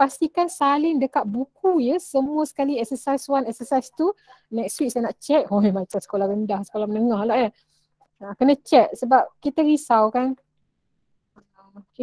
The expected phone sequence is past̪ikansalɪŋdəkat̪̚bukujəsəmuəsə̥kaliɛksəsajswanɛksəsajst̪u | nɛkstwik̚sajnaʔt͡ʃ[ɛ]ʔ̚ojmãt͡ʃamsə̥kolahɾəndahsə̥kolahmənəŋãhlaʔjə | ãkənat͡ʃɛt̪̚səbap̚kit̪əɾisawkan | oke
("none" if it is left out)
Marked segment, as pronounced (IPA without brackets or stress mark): ɛ